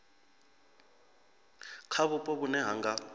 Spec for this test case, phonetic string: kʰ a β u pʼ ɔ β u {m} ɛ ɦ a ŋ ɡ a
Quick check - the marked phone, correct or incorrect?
incorrect